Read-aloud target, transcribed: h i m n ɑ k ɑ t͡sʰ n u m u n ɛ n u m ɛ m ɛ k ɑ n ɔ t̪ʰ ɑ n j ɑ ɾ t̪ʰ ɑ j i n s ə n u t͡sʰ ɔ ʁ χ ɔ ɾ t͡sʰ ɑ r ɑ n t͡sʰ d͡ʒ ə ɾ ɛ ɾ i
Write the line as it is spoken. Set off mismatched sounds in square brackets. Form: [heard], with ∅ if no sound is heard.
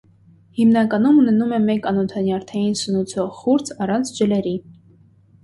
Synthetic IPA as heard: h i m n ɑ k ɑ [∅] n u m u n ɛ n u m ɛ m ɛ k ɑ n ɔ t̪ʰ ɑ n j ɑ ɾ t̪ʰ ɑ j i n s ə n u t͡sʰ ɔ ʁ χ [u] ɾ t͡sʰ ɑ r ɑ n t͡sʰ d͡ʒ ə [l] ɛ ɾ i